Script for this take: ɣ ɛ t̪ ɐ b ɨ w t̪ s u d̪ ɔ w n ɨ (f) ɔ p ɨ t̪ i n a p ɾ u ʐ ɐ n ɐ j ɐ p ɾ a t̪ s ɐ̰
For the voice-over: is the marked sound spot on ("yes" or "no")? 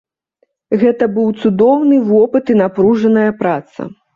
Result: no